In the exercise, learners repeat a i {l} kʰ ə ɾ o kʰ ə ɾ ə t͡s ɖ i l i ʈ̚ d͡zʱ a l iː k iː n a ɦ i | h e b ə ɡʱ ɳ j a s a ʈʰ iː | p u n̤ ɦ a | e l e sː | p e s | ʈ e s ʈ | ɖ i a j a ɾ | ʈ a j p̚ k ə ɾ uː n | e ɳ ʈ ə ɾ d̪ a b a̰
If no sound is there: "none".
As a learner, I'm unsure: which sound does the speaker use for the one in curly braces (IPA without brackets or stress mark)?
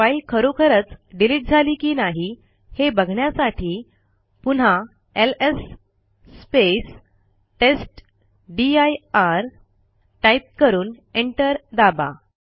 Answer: l